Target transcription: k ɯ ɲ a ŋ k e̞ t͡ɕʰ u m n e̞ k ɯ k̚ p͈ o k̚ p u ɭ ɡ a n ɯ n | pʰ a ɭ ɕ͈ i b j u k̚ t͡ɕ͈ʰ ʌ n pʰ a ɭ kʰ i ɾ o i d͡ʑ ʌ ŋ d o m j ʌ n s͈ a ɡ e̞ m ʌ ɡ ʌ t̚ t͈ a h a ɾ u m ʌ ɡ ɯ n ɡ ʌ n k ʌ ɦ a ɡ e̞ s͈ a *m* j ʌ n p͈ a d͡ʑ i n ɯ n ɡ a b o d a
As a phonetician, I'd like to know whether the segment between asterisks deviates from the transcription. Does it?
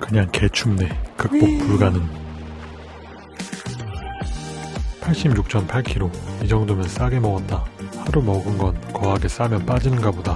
no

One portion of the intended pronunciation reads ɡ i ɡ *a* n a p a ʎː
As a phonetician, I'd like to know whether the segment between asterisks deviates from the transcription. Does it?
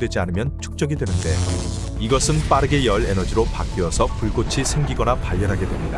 yes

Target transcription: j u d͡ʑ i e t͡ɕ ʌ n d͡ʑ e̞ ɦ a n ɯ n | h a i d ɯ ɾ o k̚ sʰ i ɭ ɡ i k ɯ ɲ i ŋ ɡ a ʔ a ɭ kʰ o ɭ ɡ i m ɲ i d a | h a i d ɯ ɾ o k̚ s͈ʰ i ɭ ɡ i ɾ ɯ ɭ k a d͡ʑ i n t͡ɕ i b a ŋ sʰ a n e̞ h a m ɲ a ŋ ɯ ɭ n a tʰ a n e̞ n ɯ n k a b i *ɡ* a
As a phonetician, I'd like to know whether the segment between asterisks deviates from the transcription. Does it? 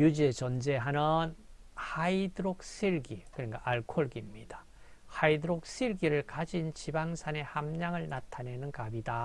yes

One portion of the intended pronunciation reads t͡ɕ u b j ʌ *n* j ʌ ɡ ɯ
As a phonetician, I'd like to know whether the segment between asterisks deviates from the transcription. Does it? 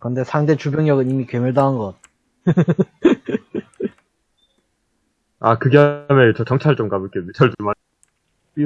yes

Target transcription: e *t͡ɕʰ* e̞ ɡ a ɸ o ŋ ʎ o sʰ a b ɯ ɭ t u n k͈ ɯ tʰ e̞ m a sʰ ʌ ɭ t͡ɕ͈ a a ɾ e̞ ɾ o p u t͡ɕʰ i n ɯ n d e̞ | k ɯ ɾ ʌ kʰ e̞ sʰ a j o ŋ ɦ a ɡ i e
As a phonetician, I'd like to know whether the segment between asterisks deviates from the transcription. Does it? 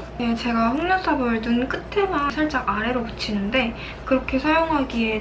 yes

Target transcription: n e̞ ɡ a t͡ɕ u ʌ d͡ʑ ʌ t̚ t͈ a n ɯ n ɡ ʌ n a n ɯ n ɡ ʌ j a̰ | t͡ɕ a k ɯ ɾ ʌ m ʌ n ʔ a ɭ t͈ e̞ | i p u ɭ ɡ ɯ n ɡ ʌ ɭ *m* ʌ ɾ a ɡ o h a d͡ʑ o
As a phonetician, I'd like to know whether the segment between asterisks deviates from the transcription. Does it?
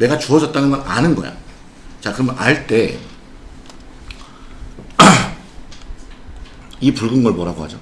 no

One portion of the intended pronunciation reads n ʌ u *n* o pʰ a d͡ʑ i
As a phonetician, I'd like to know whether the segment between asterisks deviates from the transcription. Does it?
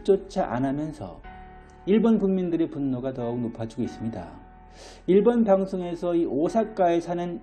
no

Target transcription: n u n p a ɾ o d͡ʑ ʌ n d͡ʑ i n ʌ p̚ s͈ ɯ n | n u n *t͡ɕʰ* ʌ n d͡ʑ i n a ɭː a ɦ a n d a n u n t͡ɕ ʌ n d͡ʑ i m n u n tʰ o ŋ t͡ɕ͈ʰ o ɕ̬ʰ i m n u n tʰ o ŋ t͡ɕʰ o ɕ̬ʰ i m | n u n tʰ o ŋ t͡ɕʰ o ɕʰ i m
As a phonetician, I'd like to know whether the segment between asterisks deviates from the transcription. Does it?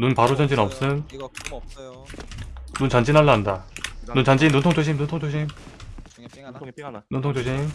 yes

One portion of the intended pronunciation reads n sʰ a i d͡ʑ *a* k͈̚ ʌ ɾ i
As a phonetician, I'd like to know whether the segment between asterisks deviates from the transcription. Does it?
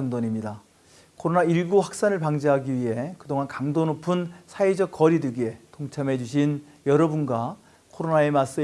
yes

